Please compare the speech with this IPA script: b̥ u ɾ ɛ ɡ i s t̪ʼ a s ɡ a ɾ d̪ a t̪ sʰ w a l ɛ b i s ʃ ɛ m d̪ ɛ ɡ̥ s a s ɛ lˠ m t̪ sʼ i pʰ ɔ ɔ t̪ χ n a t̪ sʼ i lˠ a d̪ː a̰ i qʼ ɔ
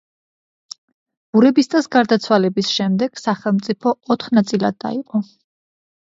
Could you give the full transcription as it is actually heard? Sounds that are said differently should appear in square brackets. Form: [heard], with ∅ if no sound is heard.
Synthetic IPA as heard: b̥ u ɾ ɛ [b] i s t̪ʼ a s ɡ a ɾ d̪ a t̪ sʰ w a l ɛ b i s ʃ ɛ m d̪ ɛ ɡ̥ s a [χ] ɛ lˠ m t̪ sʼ i pʰ ɔ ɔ t̪ χ n a t̪ sʼ i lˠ a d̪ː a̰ i qʼ ɔ